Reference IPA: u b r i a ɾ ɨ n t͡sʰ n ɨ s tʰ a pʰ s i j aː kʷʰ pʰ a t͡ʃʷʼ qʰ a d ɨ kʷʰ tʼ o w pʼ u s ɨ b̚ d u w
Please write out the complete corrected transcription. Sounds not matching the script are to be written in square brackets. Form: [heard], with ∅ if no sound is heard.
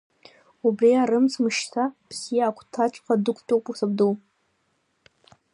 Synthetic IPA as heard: u b r i a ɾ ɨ [m] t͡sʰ [m] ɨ [ʃ] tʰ a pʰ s i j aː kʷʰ [tʰ] a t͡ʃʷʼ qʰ a d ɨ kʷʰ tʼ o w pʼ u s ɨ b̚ d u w